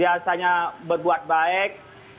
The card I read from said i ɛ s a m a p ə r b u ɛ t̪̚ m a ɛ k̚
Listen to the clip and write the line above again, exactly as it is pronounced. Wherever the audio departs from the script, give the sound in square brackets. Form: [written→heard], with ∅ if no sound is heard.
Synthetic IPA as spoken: i [ɛ→a] s a [m→ɲ] a [p→b] ə r b u [ɛ→a] t̪̚ [m→b] a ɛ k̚